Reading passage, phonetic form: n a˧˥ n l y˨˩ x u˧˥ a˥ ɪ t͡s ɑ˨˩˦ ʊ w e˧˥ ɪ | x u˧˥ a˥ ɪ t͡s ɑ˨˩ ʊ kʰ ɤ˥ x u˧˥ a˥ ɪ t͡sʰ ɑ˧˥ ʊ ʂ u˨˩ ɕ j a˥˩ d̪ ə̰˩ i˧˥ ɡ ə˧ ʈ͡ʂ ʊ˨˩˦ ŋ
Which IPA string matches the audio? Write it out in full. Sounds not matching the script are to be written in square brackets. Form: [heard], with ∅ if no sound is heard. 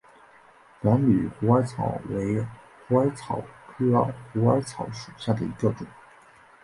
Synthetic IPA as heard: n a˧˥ n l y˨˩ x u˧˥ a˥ ɪ [t͡sʰ] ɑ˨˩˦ ʊ w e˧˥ ɪ | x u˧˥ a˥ ɪ [t͡sʰ] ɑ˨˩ ʊ kʰ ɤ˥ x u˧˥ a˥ ɪ t͡sʰ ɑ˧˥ ʊ ʂ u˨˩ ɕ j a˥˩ d̪ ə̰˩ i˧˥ ɡ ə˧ ʈ͡ʂ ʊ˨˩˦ ŋ